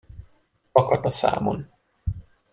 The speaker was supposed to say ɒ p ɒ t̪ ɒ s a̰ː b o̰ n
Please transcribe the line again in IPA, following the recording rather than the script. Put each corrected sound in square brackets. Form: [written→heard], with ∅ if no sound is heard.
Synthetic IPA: ɒ [p→k] ɒ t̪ ɒ s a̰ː [b→m] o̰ n